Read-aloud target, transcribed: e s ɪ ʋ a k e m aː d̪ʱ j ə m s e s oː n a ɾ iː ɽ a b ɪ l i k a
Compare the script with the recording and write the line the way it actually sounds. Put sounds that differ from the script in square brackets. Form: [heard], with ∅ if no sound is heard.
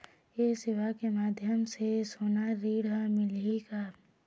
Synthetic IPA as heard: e s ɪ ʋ a k e m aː d̪ʱ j ə m s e s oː n a ɾ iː ɽ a [m] ɪ l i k a

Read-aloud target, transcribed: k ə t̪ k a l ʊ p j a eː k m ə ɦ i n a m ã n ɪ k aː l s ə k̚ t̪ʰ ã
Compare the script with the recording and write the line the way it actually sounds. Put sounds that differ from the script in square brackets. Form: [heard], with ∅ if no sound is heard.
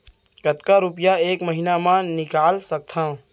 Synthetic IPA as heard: k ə t̪ k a [ɾ] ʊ p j a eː k m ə ɦ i n a m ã n ɪ k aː l s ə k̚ t̪ʰ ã

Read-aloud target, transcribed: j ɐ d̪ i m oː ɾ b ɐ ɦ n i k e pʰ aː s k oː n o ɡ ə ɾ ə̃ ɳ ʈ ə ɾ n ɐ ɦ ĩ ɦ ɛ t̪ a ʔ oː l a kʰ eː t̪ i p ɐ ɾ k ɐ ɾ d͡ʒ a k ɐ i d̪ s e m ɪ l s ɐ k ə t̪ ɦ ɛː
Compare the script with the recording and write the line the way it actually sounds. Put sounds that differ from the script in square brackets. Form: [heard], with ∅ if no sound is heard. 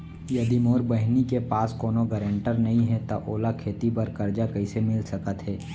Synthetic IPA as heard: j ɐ d̪ i m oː ɾ b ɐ ɦ n i k e [p] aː s k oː n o ɡ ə ɾ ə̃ ɳ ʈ ə ɾ n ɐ ɦ ĩ ɦ ɛ t̪ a ʔ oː l a kʰ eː t̪ i p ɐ ɾ k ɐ ɾ d͡ʒ a k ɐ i [∅] s e m ɪ l s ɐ k ə t̪ ɦ ɛː

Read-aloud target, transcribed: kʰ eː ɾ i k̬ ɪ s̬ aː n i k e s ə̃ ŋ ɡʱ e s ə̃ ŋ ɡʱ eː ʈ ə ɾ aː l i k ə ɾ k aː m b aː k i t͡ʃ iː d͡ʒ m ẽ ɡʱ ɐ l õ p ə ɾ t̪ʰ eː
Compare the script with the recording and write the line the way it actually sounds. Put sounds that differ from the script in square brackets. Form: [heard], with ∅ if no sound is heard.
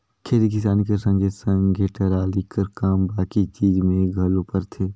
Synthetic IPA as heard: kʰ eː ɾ i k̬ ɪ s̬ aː n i k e s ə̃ ŋ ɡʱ e s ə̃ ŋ ɡʱ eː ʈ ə ɾ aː l i k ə ɾ k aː m b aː k i t͡ʃ iː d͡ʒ m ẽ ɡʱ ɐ l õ p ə ɾ t̪ʰ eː

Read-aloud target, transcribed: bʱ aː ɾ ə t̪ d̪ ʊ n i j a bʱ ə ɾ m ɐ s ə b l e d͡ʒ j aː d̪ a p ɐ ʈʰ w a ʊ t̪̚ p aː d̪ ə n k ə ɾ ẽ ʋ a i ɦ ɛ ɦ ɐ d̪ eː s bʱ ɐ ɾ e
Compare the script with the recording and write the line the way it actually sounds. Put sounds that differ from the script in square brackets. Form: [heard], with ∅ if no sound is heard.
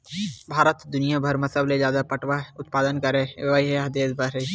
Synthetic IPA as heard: bʱ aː ɾ ə t̪ d̪ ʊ n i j a bʱ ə ɾ m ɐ s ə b l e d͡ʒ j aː d̪ a p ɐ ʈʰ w a ʊ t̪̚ p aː d̪ ə n k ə ɾ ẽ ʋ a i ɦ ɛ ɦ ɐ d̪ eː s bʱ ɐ ɾ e

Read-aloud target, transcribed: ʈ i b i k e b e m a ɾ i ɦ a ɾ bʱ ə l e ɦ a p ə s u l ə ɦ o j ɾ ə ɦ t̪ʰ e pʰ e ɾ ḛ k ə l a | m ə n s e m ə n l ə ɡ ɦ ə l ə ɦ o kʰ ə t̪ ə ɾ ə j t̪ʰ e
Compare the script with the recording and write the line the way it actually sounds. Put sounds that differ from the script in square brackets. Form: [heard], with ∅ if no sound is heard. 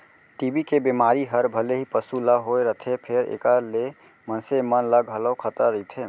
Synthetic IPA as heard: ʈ i b i k e b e m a ɾ i ɦ [ə] ɾ bʱ ə l e ɦ [i] p ə s u l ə ɦ o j ɾ ə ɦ t̪ʰ e pʰ e ɾ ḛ k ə l [e] | m ə n s e m ə n l ə ɡ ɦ ə l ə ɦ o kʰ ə t̪ ə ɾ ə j t̪ʰ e

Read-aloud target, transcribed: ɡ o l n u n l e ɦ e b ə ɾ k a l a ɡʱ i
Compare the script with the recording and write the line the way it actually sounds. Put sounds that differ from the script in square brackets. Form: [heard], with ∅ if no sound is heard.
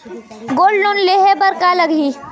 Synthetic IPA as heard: ɡ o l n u n l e ɦ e b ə ɾ k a l [ə] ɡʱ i

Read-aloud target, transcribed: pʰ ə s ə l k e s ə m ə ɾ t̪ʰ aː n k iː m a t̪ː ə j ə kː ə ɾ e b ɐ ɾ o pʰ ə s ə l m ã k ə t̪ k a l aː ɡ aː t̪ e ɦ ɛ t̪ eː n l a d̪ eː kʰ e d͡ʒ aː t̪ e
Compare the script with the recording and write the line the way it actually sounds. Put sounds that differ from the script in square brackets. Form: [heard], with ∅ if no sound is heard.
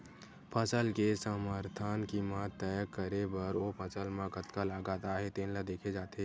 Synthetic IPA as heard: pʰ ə s ə l k e s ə m ə ɾ t̪ʰ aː n k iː m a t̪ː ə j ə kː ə ɾ e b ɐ ɾ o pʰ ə s ə l m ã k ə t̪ k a l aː ɡ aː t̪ [a] ɦ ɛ t̪ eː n l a d̪ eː kʰ e d͡ʒ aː t̪ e

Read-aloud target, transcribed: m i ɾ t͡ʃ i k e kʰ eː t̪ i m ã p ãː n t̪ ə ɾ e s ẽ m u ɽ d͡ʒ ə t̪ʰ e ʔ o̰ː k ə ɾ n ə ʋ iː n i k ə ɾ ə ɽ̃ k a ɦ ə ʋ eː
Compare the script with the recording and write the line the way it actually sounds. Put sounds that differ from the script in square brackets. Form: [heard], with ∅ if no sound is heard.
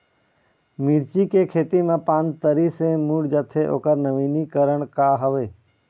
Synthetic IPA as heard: m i ɾ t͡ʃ i k e kʰ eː t̪ i m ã p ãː n t̪ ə ɾ [i] s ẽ m u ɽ d͡ʒ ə t̪ʰ e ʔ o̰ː k ə ɾ n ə ʋ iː n i k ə ɾ ə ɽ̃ k a ɦ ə ʋ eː

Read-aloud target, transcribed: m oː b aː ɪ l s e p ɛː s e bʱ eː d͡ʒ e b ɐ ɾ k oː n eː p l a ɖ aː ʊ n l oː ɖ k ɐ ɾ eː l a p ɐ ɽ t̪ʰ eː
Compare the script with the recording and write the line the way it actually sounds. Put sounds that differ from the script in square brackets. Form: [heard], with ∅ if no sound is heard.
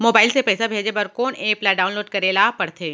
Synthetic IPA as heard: m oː b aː ɪ l s e p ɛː s [a] bʱ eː d͡ʒ e b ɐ ɾ k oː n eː p l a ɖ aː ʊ n l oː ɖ k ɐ ɾ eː l a p ɐ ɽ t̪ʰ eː

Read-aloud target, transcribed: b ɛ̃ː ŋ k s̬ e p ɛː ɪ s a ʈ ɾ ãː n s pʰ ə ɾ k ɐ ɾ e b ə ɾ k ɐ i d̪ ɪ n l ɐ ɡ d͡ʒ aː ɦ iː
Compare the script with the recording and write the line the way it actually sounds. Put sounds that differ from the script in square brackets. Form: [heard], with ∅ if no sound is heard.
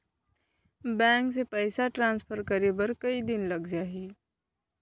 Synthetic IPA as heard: b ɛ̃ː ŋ k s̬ e p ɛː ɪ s a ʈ ɾ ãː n s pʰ ə ɾ k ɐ ɾ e b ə ɾ k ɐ i d̪ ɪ n l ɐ ɡ d͡ʒ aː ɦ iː

